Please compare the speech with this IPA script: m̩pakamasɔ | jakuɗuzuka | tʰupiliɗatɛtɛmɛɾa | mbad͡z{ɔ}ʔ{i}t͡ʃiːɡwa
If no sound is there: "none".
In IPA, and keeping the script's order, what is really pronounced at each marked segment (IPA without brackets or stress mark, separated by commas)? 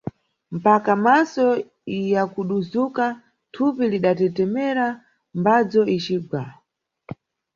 ɔ, i